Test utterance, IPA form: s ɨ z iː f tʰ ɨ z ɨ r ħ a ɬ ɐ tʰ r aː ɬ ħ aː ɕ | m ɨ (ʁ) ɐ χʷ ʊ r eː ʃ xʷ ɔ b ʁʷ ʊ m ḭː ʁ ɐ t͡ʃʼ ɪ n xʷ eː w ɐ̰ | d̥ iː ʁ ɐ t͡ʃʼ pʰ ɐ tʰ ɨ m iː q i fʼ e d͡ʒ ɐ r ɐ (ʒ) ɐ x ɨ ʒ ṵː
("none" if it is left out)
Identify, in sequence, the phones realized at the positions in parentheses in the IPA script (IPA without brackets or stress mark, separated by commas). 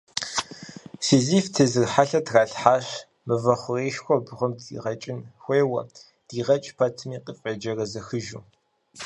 v, z